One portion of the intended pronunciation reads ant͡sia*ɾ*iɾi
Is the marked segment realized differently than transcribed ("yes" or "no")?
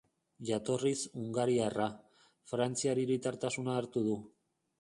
no